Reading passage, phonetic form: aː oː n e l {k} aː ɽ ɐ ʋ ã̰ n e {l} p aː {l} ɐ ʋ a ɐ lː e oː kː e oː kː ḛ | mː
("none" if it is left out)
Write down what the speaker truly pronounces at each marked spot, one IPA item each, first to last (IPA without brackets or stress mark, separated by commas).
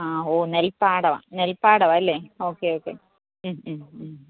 p, l, ɽ